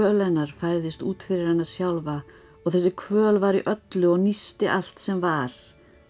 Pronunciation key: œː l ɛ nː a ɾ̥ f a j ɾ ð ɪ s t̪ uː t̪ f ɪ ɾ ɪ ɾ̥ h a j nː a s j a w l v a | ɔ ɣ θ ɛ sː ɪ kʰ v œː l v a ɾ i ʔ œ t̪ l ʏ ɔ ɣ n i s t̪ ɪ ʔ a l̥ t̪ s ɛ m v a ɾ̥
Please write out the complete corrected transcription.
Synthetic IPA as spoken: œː l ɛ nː a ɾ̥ f a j ɾ ð ɪ s t̪ uː t̪ f ɪ ɾ ɪ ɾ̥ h a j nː a s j a w l v a | ɔ ɣ θ ɛ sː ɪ kʰ v œː l v a ɾ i ʔ œ t̪ l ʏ ɔ ɣ n i s t̪ ɪ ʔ a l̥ t̪ s ɛ m v a ɾ̥

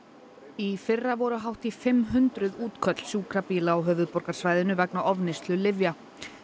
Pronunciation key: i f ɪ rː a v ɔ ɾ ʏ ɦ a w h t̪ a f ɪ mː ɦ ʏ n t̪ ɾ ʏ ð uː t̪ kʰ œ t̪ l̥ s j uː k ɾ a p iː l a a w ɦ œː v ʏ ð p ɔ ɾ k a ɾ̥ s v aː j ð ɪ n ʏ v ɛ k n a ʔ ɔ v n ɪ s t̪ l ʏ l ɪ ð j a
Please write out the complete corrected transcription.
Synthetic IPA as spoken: i f ɪ rː a v ɔ ɾ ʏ ɦ a w h t̪ i f ɪ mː ɦ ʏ n t̪ ɾ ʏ ð uː t̪ kʰ œ t̪ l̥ s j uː k ɾ a p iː l a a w ɦ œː v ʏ ð p ɔ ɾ k a ɾ̥ s v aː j ð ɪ n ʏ v ɛ k n a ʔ ɔ v n ɪ s t̪ l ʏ l ɪ v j a

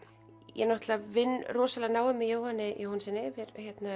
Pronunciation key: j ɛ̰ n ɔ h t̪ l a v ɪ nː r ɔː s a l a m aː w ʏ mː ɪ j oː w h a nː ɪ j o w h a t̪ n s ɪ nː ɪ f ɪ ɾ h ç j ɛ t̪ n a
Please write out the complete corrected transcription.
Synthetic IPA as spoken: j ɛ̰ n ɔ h t̪ l a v ɪ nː r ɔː s a l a n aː w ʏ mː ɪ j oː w h a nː ɪ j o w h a n s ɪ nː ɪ v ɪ ɾ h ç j ɛ t̪ n a

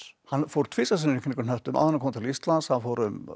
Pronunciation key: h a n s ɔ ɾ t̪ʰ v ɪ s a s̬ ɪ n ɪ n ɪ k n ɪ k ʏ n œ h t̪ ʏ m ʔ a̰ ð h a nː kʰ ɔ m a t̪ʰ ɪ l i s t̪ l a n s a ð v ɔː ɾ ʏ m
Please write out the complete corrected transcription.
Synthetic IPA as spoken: h a n f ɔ ɾ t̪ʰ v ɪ s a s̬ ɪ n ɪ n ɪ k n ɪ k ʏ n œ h t̪ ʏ m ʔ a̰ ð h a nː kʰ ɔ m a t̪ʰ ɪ l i s t̪ l a n s a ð f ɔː ɾ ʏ m

